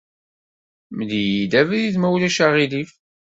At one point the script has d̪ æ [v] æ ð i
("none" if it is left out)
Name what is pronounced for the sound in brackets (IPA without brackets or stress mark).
v